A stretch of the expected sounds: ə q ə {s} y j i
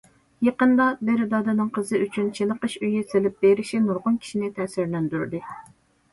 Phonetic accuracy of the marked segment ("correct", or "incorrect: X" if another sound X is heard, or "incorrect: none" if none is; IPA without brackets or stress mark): incorrect: ʃ